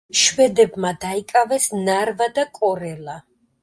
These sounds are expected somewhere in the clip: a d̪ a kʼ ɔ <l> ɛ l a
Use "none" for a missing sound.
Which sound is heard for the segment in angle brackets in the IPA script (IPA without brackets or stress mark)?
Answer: ɾ